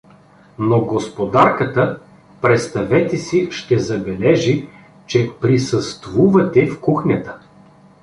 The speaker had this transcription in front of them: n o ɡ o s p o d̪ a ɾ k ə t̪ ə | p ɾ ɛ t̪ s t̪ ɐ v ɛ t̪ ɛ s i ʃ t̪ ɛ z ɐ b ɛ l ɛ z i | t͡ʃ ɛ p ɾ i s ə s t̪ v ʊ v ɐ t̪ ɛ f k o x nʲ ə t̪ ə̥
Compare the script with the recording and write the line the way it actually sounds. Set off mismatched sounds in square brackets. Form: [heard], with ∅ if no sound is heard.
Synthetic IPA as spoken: n o ɡ o s p o d̪ a ɾ k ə t̪ ə | p ɾ ɛ t̪ s t̪ ɐ v ɛ t̪ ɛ s i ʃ t̪ ɛ z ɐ b ɛ l ɛ [ʒ] i | t͡ʃ ɛ p ɾ i s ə s t̪ v [u] v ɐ t̪ ɛ f k [u] x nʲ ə t̪ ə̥